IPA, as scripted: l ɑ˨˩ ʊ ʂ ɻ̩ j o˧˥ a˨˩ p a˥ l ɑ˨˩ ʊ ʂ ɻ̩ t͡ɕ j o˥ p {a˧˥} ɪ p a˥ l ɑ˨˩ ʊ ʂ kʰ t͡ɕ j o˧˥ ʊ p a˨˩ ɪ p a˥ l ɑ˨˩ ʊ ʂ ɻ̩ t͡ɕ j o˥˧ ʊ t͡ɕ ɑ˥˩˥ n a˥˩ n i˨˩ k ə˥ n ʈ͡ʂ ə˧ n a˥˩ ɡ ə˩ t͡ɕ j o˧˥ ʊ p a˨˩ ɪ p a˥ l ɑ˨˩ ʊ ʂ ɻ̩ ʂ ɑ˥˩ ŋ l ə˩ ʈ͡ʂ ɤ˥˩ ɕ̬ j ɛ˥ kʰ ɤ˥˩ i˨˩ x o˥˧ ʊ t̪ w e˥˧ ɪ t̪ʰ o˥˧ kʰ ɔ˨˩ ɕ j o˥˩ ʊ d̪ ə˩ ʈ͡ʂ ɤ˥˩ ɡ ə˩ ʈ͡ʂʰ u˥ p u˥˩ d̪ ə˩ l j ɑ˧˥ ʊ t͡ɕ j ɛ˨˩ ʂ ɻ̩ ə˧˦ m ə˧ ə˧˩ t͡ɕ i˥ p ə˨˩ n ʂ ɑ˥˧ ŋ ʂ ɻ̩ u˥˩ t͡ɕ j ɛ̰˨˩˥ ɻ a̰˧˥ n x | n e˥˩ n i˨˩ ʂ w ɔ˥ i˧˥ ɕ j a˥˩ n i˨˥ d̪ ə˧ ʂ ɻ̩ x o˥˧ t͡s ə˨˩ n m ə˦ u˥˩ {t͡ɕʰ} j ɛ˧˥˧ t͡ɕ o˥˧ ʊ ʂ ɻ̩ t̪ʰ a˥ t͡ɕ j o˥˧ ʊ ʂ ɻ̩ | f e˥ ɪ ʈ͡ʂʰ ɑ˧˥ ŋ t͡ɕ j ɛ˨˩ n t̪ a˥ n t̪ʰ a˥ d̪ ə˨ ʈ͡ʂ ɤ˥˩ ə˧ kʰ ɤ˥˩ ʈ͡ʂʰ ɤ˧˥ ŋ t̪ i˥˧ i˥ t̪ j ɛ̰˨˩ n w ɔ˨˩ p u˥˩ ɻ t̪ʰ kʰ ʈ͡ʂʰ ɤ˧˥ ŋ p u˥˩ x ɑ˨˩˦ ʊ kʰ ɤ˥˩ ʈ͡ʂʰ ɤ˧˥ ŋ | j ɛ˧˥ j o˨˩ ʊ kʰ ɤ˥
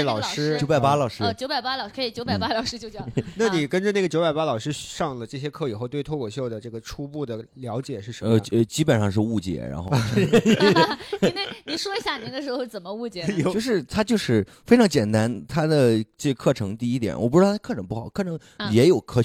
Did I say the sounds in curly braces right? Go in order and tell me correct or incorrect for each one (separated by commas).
incorrect, incorrect